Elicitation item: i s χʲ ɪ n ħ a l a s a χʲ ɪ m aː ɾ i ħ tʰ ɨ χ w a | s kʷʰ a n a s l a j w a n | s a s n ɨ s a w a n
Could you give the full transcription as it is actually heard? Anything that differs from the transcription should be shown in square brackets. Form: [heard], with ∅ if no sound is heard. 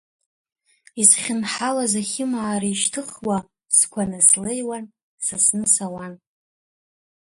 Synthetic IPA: i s χʲ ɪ n ħ a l a [z] a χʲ ɪ m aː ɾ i [ʃ] tʰ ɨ χ w a | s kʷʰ a n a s l [e] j w a n | s a s n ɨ s a w a n